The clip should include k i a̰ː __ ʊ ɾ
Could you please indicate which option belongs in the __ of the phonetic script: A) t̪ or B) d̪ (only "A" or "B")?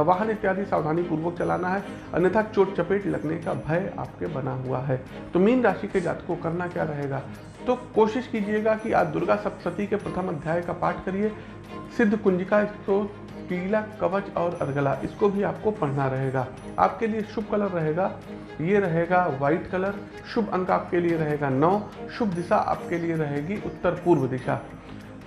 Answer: B